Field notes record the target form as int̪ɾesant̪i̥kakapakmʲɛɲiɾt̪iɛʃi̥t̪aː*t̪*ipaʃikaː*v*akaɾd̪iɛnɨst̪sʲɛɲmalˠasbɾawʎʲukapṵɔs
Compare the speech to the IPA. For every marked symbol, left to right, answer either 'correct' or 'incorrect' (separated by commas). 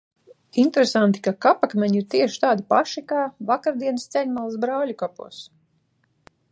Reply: incorrect, correct